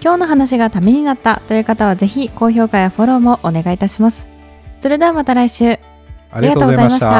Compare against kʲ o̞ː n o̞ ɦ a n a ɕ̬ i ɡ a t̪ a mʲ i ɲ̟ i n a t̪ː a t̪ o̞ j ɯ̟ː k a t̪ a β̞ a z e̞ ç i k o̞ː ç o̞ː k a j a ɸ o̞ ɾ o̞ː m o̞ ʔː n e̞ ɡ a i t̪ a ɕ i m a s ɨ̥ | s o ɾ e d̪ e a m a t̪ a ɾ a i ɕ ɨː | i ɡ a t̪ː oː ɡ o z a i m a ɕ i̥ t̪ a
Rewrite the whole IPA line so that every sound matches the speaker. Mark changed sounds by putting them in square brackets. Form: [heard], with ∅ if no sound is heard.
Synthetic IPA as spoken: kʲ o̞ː n o̞ ɦ a n a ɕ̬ i ɡ a t̪ a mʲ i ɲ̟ i n a t̪ː a t̪ o̞ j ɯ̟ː k a t̪ a β̞ a z e̞ ç i k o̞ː ç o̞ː k a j a ɸ o̞ ɾ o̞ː m o̞ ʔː n e̞ ɡ a i t̪ a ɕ i m a s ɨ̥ | s o ɾ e d̪ e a m a t̪ a ɾ a i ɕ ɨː | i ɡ a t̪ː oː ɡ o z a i m a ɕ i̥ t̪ a